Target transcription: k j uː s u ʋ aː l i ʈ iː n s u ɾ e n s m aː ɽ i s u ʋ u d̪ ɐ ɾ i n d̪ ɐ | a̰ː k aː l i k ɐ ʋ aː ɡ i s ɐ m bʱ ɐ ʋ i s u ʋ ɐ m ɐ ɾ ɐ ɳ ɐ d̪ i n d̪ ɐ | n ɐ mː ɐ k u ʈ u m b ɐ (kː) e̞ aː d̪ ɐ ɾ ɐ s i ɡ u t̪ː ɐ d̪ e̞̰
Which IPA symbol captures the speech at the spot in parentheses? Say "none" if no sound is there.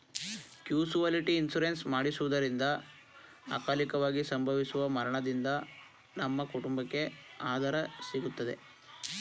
kː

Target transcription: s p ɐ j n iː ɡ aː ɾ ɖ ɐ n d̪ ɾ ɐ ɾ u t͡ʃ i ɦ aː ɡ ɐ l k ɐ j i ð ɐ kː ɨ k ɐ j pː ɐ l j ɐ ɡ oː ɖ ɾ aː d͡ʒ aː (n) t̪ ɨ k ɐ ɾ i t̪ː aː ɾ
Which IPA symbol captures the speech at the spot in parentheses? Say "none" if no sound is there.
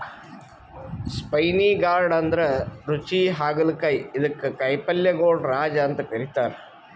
n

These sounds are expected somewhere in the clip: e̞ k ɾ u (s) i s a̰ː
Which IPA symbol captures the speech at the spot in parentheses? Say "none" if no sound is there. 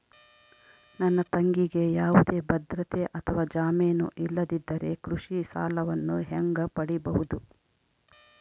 ʂ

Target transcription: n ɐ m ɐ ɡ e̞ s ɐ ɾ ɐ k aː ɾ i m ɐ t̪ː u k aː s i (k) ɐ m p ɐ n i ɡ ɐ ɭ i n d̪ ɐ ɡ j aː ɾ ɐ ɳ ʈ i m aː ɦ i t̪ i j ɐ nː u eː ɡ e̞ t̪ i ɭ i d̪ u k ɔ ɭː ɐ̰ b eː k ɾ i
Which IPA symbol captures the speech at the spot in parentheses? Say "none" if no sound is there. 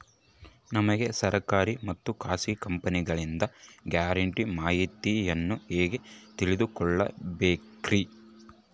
k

